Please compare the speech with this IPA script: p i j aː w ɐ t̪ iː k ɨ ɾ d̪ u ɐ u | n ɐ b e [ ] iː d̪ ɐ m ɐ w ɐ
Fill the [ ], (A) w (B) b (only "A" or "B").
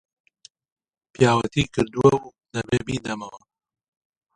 B